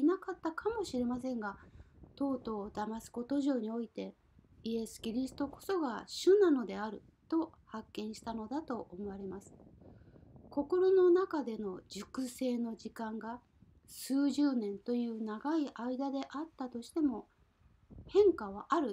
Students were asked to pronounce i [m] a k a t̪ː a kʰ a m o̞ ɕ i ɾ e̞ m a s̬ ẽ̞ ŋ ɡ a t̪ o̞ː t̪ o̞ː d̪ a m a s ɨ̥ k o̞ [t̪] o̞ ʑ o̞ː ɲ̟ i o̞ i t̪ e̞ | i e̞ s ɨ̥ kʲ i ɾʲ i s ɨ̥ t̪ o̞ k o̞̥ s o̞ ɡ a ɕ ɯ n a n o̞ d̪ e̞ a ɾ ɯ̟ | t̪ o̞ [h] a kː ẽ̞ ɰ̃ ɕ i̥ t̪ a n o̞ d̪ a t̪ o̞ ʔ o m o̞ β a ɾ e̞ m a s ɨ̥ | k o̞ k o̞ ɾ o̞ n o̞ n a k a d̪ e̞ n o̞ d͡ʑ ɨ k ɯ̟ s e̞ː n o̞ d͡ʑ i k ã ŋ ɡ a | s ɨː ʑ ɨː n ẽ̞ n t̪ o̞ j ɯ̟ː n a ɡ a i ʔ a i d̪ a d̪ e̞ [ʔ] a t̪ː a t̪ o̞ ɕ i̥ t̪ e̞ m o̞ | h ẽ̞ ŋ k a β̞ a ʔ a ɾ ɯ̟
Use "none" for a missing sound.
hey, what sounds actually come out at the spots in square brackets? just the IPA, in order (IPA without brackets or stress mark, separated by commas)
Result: n, t̪, h, ʔ